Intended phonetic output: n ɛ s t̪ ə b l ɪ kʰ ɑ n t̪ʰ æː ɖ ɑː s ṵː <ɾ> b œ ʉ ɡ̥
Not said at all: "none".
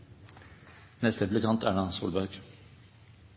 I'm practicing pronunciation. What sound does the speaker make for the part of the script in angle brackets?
l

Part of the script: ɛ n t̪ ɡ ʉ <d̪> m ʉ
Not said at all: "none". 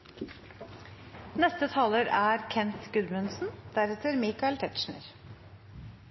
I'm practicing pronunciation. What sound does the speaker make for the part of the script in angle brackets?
d̪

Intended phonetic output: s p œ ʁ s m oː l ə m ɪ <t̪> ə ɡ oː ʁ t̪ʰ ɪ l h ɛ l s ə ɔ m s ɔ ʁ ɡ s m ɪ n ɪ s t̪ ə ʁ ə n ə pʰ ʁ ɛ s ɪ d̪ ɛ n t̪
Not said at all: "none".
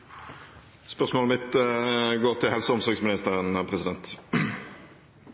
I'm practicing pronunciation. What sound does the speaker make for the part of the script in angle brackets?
t̪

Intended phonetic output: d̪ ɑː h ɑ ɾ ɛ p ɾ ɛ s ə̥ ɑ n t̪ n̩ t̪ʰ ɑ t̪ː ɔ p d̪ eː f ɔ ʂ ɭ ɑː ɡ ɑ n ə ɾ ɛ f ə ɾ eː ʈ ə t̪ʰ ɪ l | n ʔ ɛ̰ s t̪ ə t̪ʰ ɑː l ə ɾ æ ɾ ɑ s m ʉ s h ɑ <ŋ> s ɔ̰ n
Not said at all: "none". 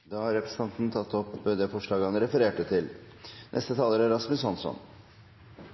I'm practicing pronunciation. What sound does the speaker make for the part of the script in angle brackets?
n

